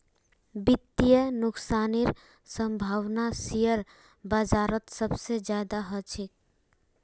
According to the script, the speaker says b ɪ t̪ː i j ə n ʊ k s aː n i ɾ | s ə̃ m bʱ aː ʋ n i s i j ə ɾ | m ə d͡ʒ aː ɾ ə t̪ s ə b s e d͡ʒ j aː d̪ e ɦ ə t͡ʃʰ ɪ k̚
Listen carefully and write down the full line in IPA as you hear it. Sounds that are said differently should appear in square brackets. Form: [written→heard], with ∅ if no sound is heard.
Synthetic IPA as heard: b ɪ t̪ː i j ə n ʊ k s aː n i ɾ | s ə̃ m bʱ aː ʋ n [i→a] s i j ə ɾ | [m→b] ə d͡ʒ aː ɾ ə t̪ s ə b s e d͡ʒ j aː d̪ [e→a] ɦ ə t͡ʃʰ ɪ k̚